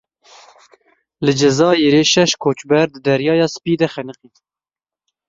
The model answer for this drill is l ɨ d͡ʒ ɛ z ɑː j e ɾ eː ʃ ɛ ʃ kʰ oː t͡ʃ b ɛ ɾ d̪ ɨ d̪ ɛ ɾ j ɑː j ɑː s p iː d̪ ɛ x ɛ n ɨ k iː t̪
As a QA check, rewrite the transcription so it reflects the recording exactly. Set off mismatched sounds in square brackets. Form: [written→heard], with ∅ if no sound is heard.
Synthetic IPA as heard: l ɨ d͡ʒ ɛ z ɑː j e ɾ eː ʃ ɛ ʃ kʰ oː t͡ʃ b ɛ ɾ d̪ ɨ d̪ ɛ ɾ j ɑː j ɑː s p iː d̪ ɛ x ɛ n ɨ [k→q] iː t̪